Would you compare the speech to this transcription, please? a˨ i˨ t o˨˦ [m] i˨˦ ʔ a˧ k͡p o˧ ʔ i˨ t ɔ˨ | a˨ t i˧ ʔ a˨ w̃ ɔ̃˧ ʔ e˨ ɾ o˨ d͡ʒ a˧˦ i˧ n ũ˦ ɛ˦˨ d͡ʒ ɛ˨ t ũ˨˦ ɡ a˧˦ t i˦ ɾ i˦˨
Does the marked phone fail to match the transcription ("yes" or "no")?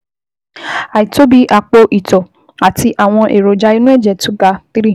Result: yes